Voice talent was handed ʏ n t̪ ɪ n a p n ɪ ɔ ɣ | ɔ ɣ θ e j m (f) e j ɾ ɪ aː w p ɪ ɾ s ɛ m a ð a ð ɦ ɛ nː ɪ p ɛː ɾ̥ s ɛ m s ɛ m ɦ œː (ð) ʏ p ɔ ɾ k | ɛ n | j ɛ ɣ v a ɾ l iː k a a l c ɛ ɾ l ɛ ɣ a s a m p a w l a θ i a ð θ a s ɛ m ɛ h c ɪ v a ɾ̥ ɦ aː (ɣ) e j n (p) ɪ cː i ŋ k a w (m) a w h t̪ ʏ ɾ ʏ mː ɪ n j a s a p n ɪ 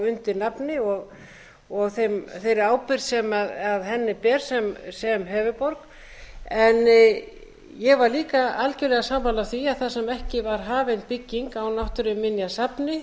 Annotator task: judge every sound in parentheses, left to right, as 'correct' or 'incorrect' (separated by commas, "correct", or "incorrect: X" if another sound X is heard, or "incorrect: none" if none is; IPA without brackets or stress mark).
incorrect: θ, incorrect: v, incorrect: v, correct, incorrect: n